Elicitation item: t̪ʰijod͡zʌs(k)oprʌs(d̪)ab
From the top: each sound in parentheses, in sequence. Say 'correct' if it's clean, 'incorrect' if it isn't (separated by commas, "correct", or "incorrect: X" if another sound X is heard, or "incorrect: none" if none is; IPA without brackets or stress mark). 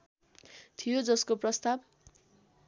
correct, incorrect: t̪